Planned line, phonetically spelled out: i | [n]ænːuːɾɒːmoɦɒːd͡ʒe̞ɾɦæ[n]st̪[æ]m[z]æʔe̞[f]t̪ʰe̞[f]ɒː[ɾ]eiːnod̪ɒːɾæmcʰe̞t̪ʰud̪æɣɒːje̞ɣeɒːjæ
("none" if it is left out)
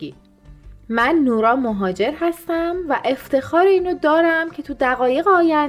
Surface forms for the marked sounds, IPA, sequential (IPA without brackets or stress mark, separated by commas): m, none, æ, v, f, x, ɾ